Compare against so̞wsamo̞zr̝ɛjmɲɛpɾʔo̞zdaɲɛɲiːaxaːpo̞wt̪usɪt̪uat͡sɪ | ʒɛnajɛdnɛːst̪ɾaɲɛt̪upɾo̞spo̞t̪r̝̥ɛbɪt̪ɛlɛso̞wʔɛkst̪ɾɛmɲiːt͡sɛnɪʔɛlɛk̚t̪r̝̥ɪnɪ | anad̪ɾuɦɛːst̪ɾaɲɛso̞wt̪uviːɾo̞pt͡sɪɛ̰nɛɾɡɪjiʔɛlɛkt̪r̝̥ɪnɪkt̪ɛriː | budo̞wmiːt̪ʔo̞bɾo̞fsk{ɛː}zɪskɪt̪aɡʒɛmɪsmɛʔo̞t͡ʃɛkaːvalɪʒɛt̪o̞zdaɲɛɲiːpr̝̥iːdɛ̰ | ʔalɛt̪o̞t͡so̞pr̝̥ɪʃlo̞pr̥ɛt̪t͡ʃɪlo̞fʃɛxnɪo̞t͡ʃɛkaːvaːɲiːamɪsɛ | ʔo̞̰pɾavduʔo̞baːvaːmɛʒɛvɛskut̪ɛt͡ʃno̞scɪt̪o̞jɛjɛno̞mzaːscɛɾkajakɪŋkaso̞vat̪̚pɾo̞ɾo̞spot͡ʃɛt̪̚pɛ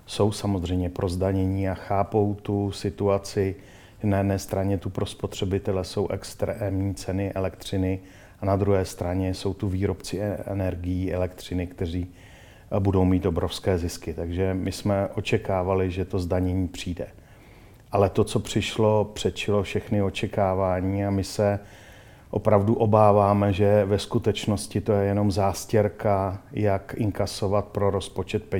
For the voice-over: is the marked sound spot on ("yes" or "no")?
yes